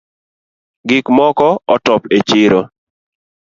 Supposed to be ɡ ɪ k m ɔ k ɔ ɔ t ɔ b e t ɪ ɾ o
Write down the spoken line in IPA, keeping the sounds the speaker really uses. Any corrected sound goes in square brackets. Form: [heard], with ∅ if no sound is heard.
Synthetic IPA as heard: ɡ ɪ k m ɔ k ɔ ɔ t ɔ [p] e [t͡ʃ] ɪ ɾ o